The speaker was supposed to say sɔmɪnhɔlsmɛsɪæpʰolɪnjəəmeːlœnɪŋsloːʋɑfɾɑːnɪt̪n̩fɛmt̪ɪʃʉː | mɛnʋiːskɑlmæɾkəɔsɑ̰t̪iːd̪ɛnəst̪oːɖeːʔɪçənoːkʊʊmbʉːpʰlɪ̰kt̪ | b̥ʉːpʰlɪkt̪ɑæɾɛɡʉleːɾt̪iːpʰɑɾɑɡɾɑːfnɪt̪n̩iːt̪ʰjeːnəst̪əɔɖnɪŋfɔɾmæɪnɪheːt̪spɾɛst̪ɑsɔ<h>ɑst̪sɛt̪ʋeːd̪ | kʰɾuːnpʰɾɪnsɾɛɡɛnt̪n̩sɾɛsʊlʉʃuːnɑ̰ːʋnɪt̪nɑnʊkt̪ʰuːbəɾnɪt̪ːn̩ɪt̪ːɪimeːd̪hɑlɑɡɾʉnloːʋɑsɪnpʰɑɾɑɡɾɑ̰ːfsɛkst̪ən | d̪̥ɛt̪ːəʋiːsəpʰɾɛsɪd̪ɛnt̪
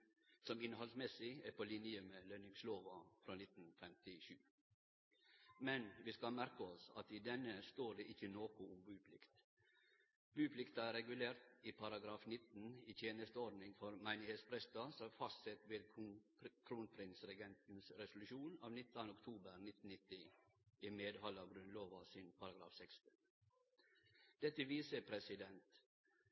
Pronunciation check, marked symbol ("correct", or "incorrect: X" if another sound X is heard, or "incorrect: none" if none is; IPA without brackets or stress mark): incorrect: f